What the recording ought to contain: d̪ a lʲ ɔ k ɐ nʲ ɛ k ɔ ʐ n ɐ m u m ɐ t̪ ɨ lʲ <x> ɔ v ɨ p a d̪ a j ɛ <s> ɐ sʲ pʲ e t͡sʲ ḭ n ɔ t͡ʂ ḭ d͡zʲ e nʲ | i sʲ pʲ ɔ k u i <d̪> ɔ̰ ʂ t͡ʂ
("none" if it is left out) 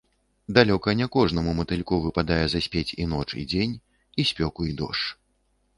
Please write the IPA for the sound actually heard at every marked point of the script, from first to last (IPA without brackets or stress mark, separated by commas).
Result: k, z, d̪